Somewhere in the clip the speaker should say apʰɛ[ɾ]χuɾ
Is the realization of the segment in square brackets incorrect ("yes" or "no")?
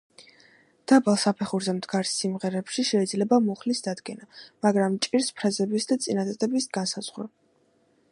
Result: yes